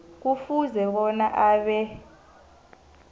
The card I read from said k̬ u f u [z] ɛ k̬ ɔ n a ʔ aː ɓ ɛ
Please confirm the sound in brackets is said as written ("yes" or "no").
yes